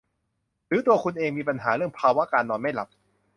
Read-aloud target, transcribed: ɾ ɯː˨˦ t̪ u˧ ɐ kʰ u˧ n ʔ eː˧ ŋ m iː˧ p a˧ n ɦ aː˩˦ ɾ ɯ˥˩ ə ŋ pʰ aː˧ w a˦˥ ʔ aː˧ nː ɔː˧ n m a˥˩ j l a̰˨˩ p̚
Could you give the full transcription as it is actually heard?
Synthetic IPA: ɾ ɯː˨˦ t̪ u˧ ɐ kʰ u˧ n ʔ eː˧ ŋ m iː˧ p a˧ n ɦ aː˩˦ ɾ ɯ˥˩ ə ŋ pʰ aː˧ w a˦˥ k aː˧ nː ɔː˧ n m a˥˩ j l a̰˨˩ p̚